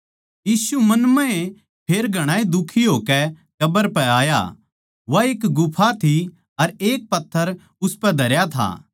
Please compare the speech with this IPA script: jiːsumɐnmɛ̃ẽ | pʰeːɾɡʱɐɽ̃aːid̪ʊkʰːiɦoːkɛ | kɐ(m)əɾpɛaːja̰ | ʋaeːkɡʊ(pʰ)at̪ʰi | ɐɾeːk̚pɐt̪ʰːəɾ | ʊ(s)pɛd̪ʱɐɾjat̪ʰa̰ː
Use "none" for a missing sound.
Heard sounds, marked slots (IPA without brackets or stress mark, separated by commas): b, pʰ, s